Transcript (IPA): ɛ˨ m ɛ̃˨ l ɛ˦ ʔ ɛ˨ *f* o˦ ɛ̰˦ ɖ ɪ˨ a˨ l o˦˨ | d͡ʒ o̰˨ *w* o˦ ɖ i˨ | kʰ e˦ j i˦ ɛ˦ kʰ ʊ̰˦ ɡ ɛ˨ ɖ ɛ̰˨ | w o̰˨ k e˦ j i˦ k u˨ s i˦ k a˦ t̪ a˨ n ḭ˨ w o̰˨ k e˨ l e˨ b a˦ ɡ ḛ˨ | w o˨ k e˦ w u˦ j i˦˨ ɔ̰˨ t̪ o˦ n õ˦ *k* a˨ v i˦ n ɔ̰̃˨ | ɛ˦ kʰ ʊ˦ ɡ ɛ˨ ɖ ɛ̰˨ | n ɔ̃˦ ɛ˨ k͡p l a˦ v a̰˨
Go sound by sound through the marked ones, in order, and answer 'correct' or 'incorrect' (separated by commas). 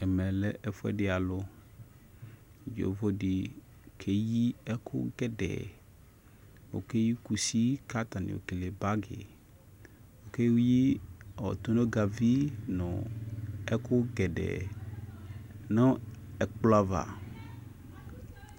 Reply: correct, incorrect, incorrect